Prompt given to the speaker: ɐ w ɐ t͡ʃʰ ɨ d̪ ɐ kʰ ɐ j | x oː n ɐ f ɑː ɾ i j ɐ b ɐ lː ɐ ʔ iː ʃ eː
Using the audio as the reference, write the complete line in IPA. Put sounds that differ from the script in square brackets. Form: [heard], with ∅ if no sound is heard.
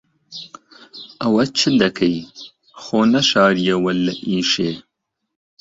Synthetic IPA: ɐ w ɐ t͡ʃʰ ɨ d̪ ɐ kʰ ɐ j | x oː n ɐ [ʃ] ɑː ɾ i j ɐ [w] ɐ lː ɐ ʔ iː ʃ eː

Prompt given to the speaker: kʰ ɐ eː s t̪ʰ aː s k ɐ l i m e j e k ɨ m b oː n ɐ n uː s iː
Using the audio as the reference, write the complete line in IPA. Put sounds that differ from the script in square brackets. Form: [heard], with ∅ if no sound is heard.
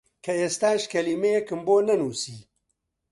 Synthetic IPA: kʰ ɐ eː s [t̪] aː [ʃ] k ɐ l i m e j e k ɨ m b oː n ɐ n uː s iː

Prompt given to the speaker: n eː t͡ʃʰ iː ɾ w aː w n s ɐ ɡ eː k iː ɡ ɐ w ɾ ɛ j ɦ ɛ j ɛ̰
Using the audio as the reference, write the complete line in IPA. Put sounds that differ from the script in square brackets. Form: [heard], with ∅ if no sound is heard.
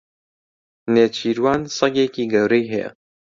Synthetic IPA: n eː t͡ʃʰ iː ɾ w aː [∅] n s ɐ ɡ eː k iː ɡ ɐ w ɾ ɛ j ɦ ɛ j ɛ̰

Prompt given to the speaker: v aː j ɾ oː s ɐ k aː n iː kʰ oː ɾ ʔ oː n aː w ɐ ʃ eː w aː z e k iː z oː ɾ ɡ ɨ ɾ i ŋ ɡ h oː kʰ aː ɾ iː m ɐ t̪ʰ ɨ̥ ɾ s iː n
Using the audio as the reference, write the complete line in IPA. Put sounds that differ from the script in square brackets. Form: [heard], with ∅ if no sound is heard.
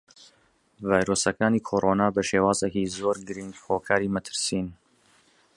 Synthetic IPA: v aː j ɾ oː s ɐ k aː n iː kʰ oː ɾ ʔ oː n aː [b] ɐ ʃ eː w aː z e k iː z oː ɾ ɡ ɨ ɾ i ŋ ɡ h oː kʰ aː ɾ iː m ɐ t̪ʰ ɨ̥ ɾ s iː n

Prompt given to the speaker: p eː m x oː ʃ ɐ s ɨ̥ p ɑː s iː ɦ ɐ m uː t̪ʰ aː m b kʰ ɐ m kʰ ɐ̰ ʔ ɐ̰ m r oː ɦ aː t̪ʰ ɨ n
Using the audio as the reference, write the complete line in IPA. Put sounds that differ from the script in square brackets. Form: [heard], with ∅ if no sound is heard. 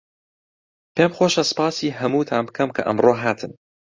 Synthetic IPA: p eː m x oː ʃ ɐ s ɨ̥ p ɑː s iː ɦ ɐ m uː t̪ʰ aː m b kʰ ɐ m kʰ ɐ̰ ʔ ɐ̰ m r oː ɦ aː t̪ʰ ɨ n

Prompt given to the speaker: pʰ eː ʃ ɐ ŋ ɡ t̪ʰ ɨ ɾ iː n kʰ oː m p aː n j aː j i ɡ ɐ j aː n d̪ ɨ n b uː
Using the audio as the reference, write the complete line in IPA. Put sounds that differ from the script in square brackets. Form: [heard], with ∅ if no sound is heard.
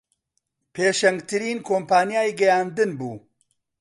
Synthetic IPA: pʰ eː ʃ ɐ ŋ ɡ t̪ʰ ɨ ɾ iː n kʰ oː m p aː n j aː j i ɡ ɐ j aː n d̪ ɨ n b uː

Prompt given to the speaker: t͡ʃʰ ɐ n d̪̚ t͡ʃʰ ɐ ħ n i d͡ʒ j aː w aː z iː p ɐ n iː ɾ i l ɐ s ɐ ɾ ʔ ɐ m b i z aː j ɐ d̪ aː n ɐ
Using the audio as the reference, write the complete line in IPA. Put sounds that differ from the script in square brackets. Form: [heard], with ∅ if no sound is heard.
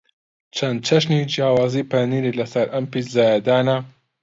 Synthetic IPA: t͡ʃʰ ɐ n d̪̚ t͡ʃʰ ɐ [ʃ] n i d͡ʒ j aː w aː z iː p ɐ n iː ɾ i l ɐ s ɐ ɾ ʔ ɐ m [p] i z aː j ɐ d̪ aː n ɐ

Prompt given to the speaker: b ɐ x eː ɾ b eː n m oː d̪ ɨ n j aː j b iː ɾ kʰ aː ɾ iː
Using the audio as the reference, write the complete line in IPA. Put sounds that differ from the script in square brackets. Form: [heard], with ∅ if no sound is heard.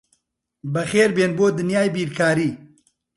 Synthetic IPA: b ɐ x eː ɾ b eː n [b] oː d̪ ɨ n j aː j b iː ɾ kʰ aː ɾ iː

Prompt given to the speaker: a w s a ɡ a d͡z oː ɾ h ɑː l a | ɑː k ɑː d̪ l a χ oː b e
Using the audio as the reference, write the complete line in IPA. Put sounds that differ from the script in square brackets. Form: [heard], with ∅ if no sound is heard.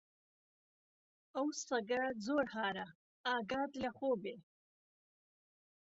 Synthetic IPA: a w s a ɡ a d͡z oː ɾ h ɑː [ɾ] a | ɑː [ɡ] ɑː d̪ l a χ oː b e

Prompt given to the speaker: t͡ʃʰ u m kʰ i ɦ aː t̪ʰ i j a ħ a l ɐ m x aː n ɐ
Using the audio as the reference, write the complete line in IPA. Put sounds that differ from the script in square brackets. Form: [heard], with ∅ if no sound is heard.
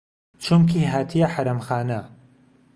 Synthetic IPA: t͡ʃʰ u m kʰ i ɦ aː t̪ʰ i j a ħ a [ɾ] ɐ m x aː n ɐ

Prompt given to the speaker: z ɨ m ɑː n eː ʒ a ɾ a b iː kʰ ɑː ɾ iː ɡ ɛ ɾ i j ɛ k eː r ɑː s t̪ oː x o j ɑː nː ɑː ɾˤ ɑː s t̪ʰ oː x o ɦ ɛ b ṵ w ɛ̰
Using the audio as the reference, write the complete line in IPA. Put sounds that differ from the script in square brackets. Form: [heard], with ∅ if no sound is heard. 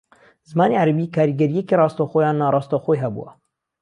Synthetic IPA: z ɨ m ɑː n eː [ʕ] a ɾ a b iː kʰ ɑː ɾ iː ɡ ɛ ɾ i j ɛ k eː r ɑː s t̪ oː x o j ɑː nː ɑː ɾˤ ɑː s [t̪] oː x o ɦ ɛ b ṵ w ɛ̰

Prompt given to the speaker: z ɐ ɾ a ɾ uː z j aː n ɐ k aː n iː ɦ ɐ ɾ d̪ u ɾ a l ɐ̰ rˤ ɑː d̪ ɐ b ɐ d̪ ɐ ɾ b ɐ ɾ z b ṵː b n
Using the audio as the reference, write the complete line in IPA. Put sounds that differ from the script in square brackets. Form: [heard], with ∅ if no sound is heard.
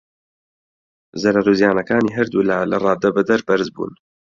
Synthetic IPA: z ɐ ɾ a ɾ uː z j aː n ɐ k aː n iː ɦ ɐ ɾ d̪ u [l] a l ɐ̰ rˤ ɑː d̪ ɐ b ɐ d̪ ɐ ɾ b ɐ ɾ z b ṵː [∅] n

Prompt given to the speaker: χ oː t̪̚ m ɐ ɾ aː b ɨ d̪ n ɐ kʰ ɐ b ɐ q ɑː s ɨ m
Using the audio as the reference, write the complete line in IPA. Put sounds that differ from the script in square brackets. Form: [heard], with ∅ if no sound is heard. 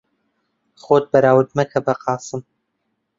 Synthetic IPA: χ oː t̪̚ [b] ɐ ɾ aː [w] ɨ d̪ [m] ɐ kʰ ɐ b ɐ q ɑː s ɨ m

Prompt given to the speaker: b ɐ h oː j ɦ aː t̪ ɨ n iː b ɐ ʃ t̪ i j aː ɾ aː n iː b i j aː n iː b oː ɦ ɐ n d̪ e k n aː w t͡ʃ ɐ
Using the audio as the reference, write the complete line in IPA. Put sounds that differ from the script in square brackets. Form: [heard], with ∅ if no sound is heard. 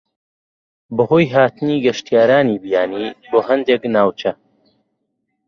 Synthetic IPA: b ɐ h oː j ɦ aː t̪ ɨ n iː [ɡ] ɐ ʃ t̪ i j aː ɾ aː n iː b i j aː n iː b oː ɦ ɐ n d̪ e k n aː w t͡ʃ ɐ

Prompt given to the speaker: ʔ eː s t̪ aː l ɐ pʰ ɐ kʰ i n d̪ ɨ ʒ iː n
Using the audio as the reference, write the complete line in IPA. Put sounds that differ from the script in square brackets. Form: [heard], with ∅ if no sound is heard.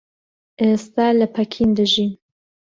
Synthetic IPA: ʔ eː s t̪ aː l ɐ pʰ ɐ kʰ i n d̪ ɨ ʒ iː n

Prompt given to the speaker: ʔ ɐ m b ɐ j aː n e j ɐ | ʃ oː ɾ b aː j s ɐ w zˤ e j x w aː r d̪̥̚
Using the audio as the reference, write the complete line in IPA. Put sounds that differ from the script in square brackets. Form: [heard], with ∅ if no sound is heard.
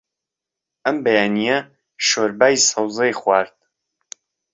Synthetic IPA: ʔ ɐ m b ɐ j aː n [i] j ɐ | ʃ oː ɾ b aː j s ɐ w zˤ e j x w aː [ɾ] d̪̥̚

